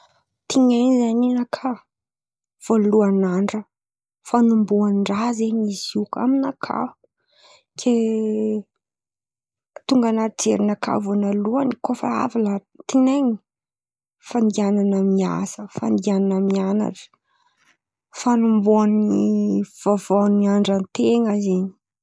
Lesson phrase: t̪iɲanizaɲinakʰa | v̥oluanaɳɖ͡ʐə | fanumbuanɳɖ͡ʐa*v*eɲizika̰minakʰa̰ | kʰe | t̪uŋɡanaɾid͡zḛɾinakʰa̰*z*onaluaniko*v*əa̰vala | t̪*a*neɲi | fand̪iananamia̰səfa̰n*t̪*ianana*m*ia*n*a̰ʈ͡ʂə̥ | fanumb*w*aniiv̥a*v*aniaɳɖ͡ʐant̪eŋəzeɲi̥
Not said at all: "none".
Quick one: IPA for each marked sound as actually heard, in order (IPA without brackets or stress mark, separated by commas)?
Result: z, v, f, i, d̪, m, n, u, v